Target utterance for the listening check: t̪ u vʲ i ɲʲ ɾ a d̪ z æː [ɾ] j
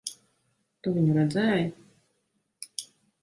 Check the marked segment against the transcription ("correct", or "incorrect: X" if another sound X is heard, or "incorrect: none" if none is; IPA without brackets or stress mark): incorrect: none